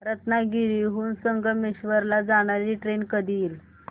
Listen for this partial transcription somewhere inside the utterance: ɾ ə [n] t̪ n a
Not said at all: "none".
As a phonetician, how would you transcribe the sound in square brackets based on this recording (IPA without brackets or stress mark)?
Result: none